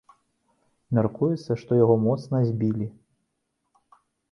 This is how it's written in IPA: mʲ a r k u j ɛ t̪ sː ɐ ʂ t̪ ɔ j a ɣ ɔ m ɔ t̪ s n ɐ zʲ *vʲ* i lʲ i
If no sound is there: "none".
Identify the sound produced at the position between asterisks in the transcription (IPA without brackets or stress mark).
bʲ